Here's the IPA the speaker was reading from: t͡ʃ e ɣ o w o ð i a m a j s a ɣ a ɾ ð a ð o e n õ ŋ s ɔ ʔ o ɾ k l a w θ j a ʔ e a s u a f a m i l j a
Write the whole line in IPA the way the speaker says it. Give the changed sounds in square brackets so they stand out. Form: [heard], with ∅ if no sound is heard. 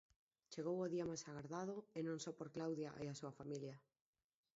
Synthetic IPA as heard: t͡ʃ e ɣ o w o ð i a m a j s a ɣ a ɾ ð a ð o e n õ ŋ s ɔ [p] o ɾ k l a w [ð] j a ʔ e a s u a f a m i l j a